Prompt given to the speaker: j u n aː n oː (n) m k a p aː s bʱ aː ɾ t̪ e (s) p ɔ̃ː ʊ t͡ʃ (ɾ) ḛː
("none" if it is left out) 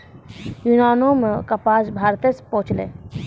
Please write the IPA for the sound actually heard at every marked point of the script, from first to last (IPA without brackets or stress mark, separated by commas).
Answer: none, s, l